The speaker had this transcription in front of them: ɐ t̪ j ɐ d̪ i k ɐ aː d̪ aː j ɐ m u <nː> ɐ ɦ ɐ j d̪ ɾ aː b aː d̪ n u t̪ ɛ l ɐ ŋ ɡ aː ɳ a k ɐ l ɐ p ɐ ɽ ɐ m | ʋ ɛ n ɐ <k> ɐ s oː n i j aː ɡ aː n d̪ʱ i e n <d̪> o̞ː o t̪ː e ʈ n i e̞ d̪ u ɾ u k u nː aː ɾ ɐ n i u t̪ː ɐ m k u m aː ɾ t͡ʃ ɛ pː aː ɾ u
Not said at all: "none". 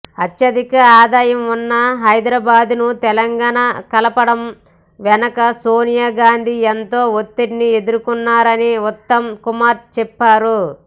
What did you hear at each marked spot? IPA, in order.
nː, k, t̪

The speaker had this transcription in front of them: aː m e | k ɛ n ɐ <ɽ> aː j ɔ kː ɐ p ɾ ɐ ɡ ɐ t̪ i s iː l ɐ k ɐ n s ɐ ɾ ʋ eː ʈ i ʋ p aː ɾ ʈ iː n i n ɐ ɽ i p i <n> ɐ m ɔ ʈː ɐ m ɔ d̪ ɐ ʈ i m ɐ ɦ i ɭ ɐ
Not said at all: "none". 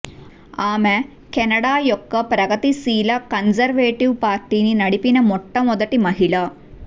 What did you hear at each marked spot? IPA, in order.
ɽ, n

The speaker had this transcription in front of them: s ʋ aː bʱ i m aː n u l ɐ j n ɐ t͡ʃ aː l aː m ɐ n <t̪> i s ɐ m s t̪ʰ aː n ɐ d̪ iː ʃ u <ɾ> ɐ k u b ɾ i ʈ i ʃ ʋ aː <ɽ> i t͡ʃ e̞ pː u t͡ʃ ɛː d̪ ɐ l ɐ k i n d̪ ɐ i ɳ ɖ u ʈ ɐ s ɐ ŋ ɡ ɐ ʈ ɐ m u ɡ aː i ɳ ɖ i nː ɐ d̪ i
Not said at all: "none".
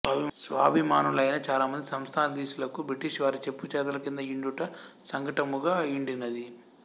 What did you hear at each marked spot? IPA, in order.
d̪, l, ɾ

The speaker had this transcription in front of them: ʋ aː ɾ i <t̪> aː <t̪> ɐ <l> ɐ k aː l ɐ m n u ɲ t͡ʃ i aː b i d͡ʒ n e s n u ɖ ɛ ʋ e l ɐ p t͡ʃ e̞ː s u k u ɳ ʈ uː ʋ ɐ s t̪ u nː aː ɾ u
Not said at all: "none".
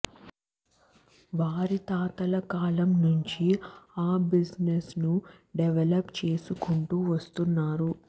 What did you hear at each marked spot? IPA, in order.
t̪, t̪, l

